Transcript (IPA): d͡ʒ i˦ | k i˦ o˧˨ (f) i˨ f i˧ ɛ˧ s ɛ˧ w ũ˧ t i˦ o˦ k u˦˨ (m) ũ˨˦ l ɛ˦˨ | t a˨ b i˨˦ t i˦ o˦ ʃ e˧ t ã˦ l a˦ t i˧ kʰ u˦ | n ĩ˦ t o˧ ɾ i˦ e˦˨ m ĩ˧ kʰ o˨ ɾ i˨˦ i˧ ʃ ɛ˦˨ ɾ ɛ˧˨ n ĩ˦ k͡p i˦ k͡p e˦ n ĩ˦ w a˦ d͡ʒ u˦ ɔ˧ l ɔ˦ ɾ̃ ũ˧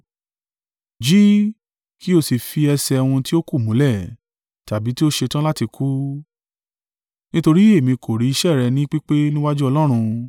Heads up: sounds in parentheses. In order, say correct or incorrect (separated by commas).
incorrect, correct